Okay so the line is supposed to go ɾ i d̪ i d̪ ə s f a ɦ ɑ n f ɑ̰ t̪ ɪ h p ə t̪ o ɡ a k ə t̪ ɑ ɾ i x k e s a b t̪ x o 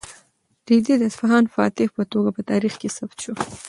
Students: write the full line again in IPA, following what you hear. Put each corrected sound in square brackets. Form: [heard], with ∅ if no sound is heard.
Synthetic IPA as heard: ɾ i d̪ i d̪ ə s f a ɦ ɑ n f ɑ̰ t̪ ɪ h p ə t̪ o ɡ a [p] ə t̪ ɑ ɾ i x k e s a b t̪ [ʃ] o